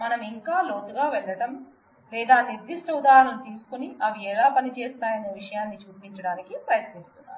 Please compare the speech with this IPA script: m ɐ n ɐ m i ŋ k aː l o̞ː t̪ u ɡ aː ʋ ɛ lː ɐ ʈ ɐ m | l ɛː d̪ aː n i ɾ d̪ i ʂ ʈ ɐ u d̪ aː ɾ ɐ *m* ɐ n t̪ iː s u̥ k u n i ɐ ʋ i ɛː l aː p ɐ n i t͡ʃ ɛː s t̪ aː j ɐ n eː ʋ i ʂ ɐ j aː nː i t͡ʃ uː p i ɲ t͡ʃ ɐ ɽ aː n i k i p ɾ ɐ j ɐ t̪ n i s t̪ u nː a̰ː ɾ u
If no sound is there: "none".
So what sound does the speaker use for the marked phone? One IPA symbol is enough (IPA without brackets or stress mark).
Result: ɳ